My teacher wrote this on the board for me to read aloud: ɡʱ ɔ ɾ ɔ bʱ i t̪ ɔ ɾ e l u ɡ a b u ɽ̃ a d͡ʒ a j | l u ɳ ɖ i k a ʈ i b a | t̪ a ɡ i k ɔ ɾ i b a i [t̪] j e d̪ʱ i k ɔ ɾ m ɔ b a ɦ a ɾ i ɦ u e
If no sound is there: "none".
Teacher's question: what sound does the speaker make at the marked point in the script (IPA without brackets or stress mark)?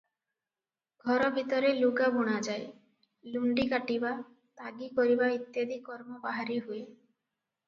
t̪